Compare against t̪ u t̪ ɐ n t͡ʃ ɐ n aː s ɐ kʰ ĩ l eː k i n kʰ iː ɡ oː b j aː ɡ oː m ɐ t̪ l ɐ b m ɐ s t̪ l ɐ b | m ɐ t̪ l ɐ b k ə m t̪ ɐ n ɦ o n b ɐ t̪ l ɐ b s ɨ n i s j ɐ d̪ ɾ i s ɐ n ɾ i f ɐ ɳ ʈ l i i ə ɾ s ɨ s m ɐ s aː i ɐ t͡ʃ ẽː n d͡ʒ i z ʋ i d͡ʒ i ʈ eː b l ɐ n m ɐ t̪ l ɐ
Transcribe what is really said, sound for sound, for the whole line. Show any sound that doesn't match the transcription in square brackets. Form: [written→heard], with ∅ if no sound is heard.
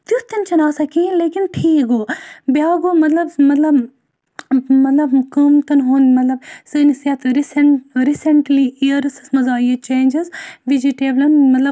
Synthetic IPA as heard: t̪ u t̪ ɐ n t͡ʃ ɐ n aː s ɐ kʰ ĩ l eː k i n [kʰ→ʈʰ] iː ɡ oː b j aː ɡ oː m ɐ t̪ l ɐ b m ɐ [s→∅] t̪ l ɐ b | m ɐ t̪ l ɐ b k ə m t̪ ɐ n ɦ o n [b→m] ɐ t̪ l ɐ b s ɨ n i s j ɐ [d̪→t̪] ɾ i s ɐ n ɾ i [f→s] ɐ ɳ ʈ l i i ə ɾ s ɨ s m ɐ [s→z] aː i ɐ t͡ʃ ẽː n d͡ʒ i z ʋ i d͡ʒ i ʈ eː b l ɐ n m ɐ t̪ l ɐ